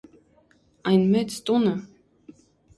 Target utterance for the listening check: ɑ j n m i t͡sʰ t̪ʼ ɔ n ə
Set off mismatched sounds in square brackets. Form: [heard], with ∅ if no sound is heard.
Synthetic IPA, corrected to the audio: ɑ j n m [ɛ] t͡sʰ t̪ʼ [u] n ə